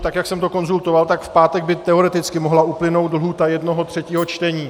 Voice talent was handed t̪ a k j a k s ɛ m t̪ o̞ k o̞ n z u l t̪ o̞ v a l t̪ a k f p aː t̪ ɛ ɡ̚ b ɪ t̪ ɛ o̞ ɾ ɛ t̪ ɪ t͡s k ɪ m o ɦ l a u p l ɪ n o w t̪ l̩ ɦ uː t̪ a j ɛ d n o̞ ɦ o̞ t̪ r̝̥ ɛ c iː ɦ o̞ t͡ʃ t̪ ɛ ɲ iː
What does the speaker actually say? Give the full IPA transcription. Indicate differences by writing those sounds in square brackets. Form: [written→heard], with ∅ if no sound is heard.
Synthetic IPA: t̪ a k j a k s ɛ m t̪ o̞ k o̞ n z u l t̪ o̞ v a l t̪ a k f p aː t̪ ɛ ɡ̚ b ɪ t̪ ɛ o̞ ɾ ɛ t̪ ɪ t͡s k ɪ m o ɦ l a u p l ɪ n o w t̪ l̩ ɦ uː t̪ a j ɛ d n o̞ ɦ o̞ t̪ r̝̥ ɛ c iː ɦ o̞ t͡ʃ t̪ ɛ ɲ iː